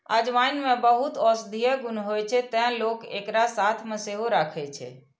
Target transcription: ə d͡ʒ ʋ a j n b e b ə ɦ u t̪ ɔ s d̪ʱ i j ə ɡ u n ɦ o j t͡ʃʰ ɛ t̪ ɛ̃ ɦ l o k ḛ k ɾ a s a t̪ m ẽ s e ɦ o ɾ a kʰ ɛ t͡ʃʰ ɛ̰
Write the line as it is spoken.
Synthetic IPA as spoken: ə d͡ʒ ʋ a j n m e b ə ɦ u t̪ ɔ s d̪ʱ i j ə ɡ u n ɦ o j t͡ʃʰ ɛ t̪ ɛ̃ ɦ l o k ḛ k ɾ a s a t̪ʰ m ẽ s e ɦ o ɾ a kʰ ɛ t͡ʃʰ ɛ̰